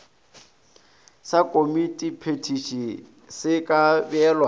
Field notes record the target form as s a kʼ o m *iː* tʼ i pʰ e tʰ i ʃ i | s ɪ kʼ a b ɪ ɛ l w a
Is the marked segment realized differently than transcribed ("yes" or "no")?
yes